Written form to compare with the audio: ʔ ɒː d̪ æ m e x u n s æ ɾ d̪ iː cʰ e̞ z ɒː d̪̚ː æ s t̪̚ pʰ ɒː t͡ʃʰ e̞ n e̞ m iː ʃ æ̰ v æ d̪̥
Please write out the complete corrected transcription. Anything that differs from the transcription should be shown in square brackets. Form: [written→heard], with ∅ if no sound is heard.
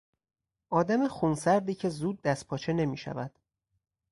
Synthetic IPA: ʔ ɒː d̪ æ m e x u n s æ ɾ d̪ iː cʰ e̞ z [ɒː→uː] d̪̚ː æ s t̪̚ pʰ ɒː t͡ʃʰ e̞ n e̞ m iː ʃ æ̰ v æ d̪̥